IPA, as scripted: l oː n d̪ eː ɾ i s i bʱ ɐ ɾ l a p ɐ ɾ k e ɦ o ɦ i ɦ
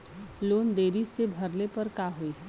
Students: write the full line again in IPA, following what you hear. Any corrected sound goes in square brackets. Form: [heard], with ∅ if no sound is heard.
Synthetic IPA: l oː n d̪ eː ɾ i s [e] bʱ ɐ ɾ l [e] p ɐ ɾ k [a] ɦ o [∅] i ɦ